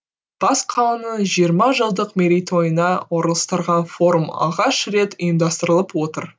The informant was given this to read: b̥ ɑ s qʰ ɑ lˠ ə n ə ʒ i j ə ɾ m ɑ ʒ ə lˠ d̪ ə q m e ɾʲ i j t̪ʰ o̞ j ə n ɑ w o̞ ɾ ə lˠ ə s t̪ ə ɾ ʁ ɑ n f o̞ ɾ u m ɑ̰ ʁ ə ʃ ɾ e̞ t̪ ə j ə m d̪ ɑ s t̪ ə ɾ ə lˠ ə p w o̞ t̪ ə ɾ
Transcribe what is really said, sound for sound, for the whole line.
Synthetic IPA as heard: b̥ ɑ s qʰ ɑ lˠ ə n ə ʒ i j ə ɾ m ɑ ʒ ə lˠ d̪ ə q m e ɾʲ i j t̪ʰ o̞ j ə n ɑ w o̞ ɾ ə lˠ ə s t̪ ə ɾ ʁ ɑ n f o̞ ɾ u m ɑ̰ ʁ ɑ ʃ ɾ e̞ t̪ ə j ə m d̪ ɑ s t̪ ə ɾ ə lˠ ə p w o̞ t̪ ə ɾ